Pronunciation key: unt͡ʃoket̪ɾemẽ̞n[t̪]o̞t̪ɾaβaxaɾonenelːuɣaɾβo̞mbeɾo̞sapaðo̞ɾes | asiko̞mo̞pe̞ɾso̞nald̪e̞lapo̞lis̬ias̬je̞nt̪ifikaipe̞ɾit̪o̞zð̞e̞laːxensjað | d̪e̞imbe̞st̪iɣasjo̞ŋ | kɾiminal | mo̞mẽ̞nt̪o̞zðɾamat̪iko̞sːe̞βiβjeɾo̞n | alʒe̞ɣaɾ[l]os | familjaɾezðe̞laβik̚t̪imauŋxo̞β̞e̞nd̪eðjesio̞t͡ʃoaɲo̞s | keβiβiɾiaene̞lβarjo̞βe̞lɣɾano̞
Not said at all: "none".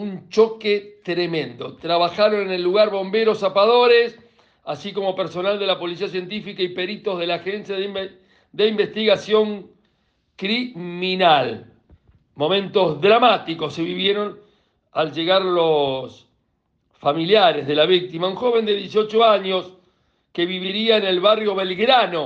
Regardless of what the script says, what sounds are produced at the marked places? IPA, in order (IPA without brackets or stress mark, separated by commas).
d̪, l